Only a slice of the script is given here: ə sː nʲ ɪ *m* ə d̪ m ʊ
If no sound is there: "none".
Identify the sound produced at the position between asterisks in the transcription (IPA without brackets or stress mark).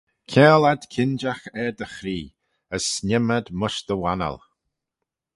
m